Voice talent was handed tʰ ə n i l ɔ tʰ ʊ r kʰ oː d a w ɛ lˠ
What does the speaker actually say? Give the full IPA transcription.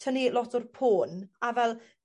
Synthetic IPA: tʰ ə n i l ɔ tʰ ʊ r pʰ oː n a v ɛ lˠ